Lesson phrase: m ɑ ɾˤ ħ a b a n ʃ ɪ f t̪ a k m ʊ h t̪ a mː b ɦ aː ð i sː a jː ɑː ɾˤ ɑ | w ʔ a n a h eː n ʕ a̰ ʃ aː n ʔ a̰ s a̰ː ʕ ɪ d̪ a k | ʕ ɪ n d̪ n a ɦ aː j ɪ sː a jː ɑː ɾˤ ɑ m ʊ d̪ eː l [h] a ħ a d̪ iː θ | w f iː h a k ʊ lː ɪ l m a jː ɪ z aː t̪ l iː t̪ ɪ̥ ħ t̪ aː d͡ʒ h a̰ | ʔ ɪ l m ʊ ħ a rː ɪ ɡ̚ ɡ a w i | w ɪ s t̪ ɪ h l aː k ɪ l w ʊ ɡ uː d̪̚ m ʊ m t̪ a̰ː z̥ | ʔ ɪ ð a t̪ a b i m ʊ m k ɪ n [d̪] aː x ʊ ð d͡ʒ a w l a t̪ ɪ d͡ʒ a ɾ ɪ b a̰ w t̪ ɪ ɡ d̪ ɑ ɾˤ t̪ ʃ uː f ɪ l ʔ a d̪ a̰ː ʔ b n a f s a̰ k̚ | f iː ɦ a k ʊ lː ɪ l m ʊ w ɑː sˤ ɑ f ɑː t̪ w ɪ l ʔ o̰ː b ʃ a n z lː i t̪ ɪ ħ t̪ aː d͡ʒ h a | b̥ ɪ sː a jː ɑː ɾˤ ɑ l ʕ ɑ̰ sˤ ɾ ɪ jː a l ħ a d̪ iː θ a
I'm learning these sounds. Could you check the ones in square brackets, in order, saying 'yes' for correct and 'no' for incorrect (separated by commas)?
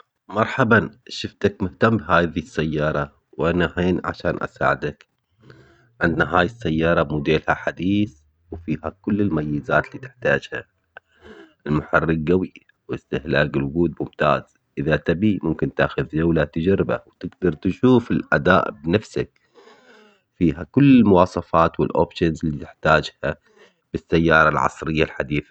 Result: yes, no